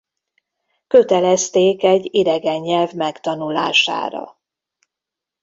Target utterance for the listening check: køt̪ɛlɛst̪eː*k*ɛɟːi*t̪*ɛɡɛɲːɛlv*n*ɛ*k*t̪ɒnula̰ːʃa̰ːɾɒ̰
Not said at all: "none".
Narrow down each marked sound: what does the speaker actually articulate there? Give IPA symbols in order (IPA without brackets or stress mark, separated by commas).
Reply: k, d̪, m, k